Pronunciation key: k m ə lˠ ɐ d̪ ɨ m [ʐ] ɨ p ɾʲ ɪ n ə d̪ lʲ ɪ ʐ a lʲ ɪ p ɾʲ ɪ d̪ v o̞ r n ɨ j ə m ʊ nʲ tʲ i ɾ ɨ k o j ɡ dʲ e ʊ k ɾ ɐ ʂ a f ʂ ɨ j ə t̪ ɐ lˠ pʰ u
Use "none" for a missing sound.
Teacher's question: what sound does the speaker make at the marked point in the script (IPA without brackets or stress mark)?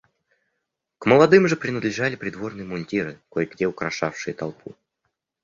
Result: ʐ